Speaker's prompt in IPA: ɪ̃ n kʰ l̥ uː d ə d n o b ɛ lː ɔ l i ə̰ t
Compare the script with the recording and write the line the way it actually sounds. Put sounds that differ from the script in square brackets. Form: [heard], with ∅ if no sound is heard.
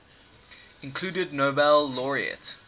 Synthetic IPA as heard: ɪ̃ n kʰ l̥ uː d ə d n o b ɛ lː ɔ [ɹ] i ə̰ t